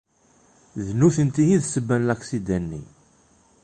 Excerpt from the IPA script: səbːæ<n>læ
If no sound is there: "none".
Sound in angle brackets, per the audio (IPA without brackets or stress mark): n